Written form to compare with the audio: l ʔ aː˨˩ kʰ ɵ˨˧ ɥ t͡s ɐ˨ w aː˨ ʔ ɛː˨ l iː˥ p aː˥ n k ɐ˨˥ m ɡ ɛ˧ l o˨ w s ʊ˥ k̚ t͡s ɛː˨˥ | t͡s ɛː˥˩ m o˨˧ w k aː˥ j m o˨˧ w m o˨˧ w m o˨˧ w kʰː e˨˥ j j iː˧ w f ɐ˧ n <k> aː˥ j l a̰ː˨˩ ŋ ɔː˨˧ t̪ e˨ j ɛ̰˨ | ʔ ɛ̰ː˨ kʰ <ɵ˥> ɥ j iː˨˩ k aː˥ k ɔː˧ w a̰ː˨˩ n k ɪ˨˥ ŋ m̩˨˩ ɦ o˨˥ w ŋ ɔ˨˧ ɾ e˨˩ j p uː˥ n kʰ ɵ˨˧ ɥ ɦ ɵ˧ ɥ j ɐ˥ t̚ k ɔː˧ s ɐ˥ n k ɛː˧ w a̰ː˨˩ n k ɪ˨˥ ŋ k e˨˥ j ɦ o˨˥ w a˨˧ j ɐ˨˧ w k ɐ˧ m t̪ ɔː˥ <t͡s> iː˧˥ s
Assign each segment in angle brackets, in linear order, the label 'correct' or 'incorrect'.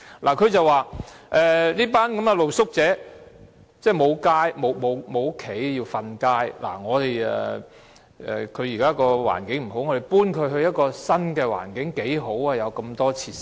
correct, incorrect, incorrect

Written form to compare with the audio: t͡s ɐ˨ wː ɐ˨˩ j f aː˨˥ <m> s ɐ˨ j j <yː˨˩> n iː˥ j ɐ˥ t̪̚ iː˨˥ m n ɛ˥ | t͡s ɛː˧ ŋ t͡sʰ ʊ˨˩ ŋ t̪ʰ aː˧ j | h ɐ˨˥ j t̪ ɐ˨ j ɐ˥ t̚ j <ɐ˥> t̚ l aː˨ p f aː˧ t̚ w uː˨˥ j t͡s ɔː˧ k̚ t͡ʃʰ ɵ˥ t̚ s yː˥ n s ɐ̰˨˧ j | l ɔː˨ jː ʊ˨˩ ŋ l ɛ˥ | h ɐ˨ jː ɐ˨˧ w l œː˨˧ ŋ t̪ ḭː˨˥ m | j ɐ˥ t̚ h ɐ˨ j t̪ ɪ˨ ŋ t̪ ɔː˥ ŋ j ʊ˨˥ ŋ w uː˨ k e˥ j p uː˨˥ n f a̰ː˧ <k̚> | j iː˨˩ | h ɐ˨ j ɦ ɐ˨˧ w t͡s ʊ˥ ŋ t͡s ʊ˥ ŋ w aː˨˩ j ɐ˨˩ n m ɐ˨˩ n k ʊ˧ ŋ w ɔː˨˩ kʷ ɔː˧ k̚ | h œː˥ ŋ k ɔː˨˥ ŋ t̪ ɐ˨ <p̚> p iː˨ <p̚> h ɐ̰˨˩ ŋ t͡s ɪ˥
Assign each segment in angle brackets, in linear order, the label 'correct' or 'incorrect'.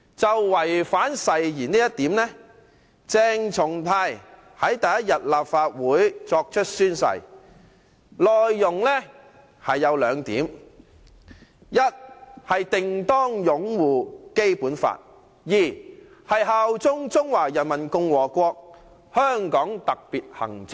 incorrect, incorrect, incorrect, incorrect, incorrect, incorrect

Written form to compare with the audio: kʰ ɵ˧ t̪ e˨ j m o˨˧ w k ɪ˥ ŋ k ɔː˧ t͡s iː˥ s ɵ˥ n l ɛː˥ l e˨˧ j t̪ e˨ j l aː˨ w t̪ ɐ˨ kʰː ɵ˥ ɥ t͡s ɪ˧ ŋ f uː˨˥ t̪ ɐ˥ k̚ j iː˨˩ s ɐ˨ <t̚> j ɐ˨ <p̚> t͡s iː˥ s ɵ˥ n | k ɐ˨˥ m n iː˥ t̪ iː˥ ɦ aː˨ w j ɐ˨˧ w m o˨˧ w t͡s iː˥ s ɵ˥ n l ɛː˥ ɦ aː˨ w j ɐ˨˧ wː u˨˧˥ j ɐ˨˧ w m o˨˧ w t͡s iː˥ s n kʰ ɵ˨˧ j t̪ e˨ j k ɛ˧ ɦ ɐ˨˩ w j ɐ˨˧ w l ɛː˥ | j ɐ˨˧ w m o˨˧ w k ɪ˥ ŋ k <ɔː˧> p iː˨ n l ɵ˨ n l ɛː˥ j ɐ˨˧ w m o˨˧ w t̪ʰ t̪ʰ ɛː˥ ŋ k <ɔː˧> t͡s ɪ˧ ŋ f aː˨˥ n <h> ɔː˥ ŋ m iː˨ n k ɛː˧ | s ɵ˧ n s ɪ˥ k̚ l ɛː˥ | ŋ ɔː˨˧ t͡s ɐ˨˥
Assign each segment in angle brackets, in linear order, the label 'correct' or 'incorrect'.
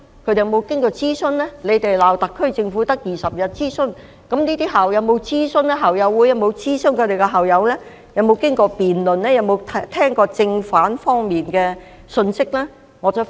incorrect, incorrect, correct, correct, incorrect

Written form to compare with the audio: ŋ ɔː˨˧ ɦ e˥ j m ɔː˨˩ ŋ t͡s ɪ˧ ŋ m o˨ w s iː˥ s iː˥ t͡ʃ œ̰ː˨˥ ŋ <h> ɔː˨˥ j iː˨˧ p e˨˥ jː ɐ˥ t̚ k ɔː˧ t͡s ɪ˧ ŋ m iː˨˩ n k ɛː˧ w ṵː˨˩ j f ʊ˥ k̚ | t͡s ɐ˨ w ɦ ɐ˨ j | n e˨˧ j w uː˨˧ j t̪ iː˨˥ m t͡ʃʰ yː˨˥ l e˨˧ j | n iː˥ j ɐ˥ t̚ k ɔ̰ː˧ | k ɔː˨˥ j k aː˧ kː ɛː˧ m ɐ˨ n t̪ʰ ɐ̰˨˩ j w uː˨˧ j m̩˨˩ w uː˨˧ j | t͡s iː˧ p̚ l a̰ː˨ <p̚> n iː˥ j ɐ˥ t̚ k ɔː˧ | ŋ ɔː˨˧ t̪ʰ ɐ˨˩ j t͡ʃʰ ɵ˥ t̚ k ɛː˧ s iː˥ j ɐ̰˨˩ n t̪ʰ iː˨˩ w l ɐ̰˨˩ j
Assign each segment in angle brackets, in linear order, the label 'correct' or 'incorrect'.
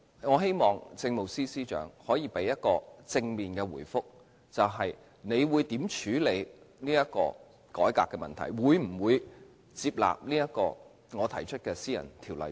correct, correct

